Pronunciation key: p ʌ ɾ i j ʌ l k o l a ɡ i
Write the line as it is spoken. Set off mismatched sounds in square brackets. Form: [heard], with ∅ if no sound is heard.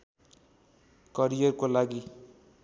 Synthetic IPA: [k] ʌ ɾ i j ʌ [r] k o l a ɡ i